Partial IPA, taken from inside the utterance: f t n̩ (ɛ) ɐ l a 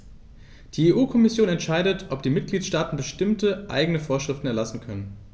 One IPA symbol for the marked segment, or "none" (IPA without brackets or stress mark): ɛ